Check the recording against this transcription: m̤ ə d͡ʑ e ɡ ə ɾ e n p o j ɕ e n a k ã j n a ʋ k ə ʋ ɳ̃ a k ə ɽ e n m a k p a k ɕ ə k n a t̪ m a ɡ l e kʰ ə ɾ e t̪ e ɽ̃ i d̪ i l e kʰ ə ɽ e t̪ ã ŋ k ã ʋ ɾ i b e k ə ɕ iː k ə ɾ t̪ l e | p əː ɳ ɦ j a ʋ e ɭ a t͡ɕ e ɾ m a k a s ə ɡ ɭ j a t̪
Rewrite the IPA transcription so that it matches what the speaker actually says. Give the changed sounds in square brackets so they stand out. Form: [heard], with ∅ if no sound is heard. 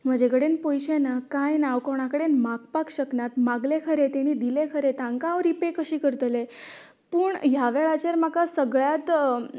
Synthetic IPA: m̤ ə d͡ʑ e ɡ ə [ɽ] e n p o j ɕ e n a k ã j n a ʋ k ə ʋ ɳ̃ a k ə ɽ e n m a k p a k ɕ ə k n a t̪ m a ɡ l e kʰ ə ɾ e t̪ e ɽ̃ i d̪ i l e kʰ ə [ɾ] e t̪ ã ŋ k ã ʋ ɾ i [p] e k ə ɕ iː k ə ɾ t̪ l e | p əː ɳ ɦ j a ʋ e ɭ a t͡ɕ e ɾ m a k a s ə ɡ ɭ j a t̪